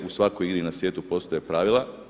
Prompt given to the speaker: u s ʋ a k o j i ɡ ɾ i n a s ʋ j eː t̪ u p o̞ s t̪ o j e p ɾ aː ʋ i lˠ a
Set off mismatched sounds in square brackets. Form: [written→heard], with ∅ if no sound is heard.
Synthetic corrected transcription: u s ʋ a k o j i ɡ ɾ i n a s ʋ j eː t̪ u p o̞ s t̪ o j e p ɾ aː ʋ i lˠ a